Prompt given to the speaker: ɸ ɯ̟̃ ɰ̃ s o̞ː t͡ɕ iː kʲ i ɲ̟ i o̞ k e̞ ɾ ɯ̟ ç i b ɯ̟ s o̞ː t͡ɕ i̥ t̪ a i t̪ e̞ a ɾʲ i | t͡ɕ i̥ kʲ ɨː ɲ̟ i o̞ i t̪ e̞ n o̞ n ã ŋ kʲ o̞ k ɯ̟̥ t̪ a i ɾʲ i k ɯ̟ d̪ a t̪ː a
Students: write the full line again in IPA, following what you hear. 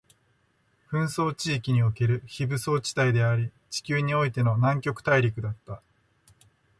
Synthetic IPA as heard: ɸ ɯ̟̃ ɰ̃ s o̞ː t͡ɕ iː kʲ i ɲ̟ i o̞ k e̞ ɾ ɯ̟ ç i b ɯ̟ s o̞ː t͡ɕ i̥ t̪ a i d̪ e̞ a ɾʲ i | t͡ɕ i̥ kʲ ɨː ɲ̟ i o̞ i t̪ e̞ n o̞ n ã ŋ kʲ o̞ k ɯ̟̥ t̪ a i ɾʲ i k ɯ̟ d̪ a t̪ː a